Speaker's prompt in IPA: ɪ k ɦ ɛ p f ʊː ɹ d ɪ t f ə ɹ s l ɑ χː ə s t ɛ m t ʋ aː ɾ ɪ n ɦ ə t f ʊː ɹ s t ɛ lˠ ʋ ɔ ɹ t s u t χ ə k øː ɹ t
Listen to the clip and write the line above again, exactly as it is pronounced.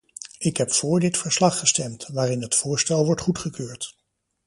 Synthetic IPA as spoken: ɪ k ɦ ɛ p f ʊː ɹ d ɪ t f ə ɹ s l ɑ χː ə s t ɛ m t ʋ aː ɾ ɪ n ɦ ə t f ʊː ɹ s t ɛ lˠ ʋ ɔ ɹ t χ u t χ ə k øː ɹ t